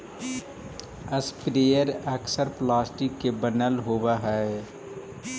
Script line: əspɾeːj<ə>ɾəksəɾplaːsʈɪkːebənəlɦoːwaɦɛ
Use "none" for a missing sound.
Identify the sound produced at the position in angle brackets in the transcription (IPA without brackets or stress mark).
ə